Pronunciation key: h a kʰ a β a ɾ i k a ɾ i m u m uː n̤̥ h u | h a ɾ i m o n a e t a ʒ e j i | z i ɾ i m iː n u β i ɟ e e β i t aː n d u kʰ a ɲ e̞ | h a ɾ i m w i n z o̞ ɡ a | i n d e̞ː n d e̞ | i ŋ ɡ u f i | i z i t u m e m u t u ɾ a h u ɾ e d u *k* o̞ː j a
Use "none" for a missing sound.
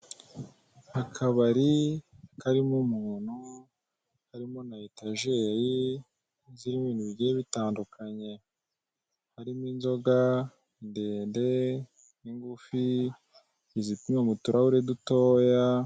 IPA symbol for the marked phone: t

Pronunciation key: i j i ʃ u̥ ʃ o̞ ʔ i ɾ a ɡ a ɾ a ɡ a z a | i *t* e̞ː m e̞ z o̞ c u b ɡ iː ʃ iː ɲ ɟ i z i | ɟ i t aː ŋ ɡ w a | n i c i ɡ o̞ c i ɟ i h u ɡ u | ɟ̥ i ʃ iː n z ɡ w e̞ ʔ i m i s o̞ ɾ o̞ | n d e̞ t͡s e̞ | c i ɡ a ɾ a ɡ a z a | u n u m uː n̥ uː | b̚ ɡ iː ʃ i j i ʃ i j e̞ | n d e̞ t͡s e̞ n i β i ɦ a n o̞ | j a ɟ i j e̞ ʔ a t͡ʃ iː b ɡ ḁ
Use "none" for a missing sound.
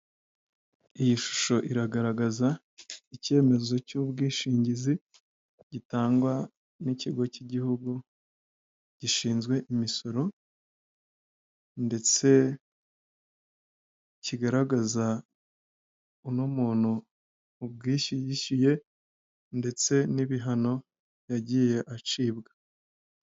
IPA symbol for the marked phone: c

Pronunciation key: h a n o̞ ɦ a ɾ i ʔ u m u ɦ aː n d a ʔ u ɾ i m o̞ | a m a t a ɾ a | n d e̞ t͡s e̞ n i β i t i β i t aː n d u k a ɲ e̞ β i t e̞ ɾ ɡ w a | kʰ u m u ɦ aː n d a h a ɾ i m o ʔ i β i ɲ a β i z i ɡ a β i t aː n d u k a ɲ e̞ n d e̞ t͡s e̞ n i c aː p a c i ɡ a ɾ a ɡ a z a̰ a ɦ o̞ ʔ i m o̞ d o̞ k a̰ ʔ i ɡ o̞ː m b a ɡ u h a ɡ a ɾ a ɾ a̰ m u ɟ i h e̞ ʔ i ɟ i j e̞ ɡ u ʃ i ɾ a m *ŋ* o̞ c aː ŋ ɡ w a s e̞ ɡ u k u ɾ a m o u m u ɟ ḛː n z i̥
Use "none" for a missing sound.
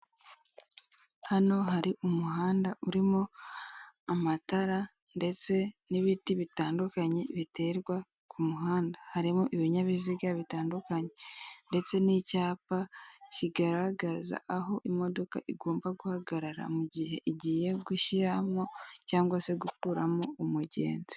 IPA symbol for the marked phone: ŋ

